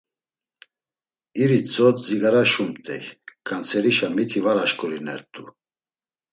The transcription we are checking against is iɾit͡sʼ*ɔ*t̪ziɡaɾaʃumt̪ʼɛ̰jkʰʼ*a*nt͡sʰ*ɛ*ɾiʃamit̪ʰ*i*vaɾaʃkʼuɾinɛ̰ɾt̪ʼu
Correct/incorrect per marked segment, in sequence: correct, correct, correct, correct

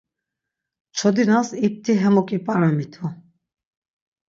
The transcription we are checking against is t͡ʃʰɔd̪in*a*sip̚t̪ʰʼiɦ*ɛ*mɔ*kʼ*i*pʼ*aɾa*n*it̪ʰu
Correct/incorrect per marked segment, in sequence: correct, correct, correct, correct, incorrect: m

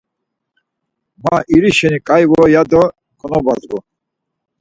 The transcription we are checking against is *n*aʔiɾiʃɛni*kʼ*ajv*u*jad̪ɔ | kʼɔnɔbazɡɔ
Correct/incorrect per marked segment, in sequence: incorrect: m, correct, incorrect: ɔ

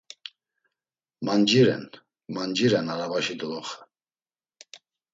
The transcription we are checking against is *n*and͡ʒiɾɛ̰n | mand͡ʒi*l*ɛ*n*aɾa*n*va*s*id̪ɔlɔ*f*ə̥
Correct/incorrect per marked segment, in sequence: incorrect: m, incorrect: ɾ, correct, incorrect: none, incorrect: ʃ, incorrect: χ

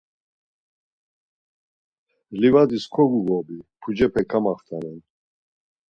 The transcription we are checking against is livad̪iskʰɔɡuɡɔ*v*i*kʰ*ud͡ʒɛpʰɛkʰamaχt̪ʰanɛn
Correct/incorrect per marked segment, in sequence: incorrect: b, incorrect: pʰ

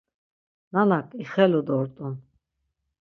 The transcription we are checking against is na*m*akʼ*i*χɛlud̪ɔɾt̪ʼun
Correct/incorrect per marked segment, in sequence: incorrect: n, correct

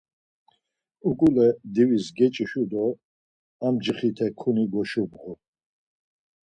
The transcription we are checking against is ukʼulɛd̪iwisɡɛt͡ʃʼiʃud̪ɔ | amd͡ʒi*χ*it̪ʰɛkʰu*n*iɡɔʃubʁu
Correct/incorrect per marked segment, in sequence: correct, correct

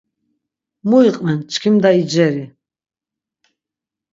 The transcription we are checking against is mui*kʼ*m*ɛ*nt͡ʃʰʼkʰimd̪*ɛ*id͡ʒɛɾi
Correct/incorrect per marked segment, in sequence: incorrect: qʼ, correct, incorrect: a

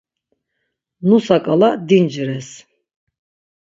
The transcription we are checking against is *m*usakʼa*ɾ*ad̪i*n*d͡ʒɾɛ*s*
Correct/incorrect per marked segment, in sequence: incorrect: n, incorrect: l, correct, correct

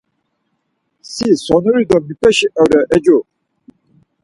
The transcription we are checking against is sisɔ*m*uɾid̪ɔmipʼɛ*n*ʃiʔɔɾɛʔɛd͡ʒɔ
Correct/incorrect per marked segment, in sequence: incorrect: n, incorrect: none

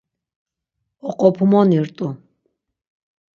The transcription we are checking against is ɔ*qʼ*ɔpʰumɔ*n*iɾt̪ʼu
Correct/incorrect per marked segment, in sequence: correct, correct

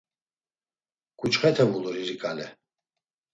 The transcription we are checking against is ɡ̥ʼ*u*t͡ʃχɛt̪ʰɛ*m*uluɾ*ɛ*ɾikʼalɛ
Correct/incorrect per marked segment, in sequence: correct, correct, incorrect: i

